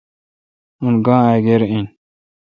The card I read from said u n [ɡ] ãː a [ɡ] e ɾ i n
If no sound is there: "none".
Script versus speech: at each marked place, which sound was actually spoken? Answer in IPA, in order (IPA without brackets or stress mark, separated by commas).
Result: ɡ, ɡ